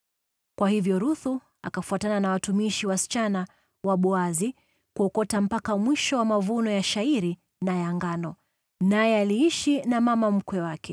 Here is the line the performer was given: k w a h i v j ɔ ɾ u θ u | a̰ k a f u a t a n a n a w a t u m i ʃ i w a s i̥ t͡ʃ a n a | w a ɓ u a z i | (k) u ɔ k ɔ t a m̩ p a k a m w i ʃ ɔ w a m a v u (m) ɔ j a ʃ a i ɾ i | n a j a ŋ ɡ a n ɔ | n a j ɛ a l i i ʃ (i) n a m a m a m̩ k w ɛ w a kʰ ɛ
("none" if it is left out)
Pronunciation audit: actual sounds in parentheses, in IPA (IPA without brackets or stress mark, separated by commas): k, n, i